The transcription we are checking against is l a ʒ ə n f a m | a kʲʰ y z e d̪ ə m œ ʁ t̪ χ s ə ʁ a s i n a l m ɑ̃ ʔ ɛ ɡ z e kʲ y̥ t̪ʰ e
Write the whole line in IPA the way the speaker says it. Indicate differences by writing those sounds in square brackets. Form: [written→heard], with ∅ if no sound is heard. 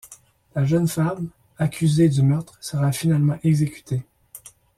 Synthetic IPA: l a ʒ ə n f a m | a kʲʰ y z e d̪ ə m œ ʁ t̪ χ s ə ʁ a [s→f] i n a l m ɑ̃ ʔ ɛ ɡ z e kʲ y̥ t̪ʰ e